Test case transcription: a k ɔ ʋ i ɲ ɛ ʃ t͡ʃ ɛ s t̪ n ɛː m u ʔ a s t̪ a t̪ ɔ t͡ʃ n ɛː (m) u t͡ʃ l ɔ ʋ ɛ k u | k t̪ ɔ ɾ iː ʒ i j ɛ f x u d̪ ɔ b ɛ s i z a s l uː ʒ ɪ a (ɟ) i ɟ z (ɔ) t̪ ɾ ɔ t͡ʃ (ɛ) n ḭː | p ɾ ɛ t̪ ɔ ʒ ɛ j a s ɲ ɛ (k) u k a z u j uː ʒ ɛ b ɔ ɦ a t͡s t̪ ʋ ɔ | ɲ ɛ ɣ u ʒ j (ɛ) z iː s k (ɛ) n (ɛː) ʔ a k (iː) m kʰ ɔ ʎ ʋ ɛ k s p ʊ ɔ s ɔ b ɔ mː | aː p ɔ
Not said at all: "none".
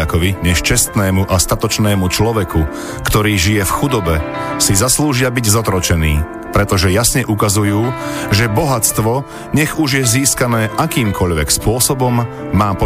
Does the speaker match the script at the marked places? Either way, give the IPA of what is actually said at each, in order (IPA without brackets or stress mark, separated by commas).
m, b, ɔ, ɛ, ʔ, ɛ, a, ɛː, iː